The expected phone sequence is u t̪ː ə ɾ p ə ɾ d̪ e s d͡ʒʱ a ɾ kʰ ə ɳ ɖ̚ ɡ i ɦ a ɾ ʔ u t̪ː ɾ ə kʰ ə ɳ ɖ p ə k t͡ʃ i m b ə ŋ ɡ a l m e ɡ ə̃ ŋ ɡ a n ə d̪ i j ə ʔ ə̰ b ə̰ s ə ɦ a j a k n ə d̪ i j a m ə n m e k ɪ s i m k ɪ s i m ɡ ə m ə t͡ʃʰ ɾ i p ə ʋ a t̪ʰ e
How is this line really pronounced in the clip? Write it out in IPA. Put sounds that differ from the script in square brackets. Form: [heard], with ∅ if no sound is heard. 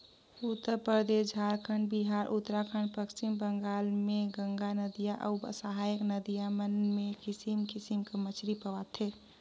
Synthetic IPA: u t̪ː ə ɾ p ə ɾ d̪ e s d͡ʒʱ a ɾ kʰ ə ɳ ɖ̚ [b] i ɦ a ɾ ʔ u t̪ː ɾ [a] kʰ ə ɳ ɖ p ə k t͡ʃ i m b ə ŋ ɡ a l m e ɡ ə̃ ŋ ɡ a n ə d̪ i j [a] ʔ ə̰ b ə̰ s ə ɦ a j [ə] k n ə d̪ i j a m ə n m e k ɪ s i m k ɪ s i m [k] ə m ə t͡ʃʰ ɾ i p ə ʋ a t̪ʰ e